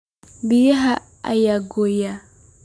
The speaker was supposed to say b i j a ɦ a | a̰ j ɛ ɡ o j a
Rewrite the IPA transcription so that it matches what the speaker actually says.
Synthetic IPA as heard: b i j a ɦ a | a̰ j a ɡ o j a